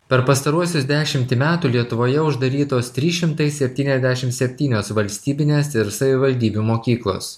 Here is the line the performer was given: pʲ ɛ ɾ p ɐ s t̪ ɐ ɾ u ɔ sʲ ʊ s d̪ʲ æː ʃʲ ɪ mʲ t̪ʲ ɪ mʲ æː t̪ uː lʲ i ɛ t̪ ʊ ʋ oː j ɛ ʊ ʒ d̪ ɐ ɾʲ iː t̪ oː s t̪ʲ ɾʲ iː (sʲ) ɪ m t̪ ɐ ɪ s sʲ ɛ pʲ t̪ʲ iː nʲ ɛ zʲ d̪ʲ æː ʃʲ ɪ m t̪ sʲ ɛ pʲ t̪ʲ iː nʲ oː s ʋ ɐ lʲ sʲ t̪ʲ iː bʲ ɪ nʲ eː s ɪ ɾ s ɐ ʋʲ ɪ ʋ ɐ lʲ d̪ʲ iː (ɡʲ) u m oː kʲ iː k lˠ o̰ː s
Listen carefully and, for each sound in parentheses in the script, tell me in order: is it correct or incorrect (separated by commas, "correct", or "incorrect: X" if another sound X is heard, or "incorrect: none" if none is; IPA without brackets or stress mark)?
incorrect: ʃʲ, incorrect: bʲ